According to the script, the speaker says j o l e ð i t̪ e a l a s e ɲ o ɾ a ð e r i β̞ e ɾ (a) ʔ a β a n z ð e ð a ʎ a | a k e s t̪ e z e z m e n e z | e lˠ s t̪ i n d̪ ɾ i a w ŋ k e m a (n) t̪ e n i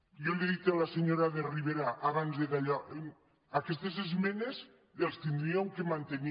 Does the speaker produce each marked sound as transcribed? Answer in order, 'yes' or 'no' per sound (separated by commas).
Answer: yes, yes